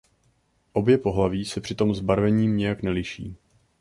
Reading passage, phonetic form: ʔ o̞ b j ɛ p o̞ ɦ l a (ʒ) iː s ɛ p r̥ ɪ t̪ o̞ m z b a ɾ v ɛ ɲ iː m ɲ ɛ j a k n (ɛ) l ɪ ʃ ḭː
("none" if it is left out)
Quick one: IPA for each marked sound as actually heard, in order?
v, ɛ

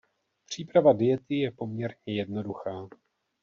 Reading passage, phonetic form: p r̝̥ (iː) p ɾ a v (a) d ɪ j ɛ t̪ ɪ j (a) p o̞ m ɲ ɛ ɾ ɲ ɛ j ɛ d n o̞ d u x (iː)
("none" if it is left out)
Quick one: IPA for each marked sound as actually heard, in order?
iː, a, ɛ, aː

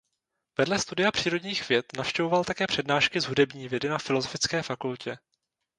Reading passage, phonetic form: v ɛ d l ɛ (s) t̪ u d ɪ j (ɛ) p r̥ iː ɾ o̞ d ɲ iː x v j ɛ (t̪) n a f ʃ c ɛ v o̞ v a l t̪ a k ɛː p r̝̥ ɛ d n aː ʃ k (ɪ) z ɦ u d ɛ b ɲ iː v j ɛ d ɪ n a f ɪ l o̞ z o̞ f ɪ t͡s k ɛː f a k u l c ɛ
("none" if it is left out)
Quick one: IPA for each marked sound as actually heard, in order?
s, a, t̪, ɪ

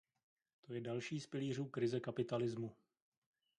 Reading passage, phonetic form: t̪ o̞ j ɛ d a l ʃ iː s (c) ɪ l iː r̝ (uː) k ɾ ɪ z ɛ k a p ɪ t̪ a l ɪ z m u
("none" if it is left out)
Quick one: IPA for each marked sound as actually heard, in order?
p, uː

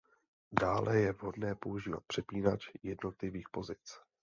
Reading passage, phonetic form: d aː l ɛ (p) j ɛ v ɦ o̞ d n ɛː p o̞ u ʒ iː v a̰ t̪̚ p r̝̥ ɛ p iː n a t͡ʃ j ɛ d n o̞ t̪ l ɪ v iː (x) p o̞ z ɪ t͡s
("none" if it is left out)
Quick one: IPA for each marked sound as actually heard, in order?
none, x

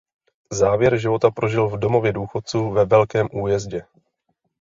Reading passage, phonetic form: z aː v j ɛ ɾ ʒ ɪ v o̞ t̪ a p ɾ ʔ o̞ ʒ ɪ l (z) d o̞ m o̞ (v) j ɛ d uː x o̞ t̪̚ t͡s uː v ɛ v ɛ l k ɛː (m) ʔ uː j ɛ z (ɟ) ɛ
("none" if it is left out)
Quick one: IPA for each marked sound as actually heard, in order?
v, v, m, ɟ

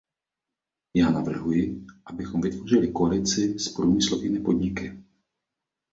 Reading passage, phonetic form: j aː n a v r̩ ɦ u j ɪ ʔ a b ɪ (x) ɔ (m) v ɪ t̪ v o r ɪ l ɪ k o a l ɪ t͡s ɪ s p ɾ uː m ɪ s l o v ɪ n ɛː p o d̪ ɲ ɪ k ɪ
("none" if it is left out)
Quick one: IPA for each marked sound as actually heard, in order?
x, m

